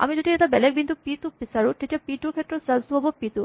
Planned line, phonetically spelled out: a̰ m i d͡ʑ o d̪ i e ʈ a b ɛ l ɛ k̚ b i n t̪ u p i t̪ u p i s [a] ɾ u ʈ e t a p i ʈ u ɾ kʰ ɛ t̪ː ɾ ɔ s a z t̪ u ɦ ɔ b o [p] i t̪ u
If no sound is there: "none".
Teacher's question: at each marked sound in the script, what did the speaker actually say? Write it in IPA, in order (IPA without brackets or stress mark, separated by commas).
a, p